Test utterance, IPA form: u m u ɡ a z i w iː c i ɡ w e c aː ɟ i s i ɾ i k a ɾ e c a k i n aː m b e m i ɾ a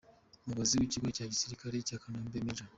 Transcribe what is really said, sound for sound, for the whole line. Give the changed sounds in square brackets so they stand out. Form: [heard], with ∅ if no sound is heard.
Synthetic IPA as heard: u m u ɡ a z i w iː c i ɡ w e c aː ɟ i s i ɾ i k a ɾ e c a k [a] n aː m b e m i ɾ a